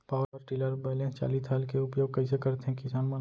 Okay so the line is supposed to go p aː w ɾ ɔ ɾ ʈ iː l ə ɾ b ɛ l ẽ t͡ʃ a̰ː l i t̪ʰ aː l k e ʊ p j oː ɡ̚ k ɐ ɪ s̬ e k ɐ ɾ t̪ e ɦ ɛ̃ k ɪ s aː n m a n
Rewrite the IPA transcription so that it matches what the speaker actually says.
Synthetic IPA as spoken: p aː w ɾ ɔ ɾ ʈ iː l ə ɾ b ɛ l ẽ t͡ʃ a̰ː l i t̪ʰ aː l k e ʊ p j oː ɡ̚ k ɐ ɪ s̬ e k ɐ ɾ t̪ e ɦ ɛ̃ k ɪ s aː n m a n